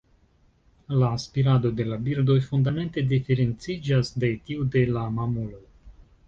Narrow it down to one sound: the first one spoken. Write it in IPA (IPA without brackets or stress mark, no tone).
l